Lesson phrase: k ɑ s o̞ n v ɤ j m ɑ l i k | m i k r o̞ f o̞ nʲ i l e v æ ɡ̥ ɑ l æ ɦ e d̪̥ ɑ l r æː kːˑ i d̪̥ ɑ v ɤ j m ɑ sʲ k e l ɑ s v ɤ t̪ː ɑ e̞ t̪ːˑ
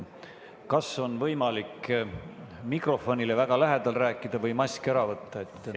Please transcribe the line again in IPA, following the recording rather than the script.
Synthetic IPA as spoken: k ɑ s o̞ n v ɤ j m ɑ l i k | m i k r o̞ f o̞ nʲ i l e v æ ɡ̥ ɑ l æ ɦ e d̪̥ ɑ l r æː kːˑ i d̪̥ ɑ v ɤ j m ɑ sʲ k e ɾ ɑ v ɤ t̪ː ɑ e̞ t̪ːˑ